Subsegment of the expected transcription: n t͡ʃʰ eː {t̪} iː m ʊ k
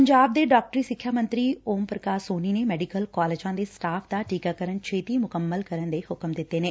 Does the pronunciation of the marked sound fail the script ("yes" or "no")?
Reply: no